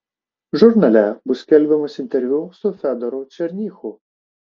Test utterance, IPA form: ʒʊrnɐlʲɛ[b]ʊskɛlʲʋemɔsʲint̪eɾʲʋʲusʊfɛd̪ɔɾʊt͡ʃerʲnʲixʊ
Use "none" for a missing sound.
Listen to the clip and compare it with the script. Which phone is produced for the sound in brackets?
b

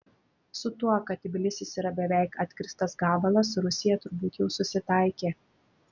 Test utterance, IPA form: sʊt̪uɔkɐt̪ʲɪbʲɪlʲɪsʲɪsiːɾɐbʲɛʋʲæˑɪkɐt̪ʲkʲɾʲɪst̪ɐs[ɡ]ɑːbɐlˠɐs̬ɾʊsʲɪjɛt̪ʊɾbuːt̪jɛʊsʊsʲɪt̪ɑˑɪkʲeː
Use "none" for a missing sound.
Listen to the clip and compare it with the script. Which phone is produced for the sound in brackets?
ɡ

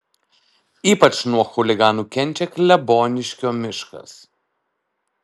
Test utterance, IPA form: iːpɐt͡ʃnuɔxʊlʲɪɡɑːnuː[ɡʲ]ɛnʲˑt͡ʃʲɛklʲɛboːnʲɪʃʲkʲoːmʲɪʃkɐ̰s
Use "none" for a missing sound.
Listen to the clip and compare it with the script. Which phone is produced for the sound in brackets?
kʲ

